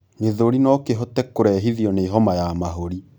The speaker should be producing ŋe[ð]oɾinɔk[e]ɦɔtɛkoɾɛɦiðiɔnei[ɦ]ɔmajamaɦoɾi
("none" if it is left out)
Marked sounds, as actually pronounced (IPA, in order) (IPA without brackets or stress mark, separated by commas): ð, e, ɦ